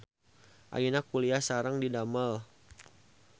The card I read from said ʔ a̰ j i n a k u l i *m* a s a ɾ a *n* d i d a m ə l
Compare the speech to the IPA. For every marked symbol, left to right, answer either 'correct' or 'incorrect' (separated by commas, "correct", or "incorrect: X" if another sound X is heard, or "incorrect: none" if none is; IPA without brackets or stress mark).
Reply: incorrect: none, incorrect: ŋ